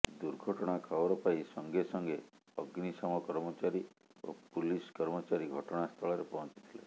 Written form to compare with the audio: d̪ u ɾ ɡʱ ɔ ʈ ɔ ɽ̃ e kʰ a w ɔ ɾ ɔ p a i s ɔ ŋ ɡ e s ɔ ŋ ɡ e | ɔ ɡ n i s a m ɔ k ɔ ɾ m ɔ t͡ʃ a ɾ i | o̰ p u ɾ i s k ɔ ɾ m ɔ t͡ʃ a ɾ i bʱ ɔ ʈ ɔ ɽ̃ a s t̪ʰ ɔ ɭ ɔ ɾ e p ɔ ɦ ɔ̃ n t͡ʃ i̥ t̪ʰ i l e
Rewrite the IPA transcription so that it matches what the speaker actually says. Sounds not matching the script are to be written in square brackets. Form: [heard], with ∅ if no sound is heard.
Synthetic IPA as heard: d̪ u ɾ ɡʱ ɔ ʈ ɔ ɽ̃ [a] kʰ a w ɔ ɾ ɔ p a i s ɔ ŋ ɡ e s ɔ ŋ ɡ e | ɔ ɡ n i s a m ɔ k ɔ ɾ m ɔ t͡ʃ a ɾ i | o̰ p u [l] i s k ɔ ɾ m ɔ t͡ʃ a ɾ i [ɡʱ] ɔ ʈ ɔ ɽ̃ a s t̪ʰ ɔ ɭ ɔ ɾ e p ɔ ɦ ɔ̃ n t͡ʃ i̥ t̪ʰ i l e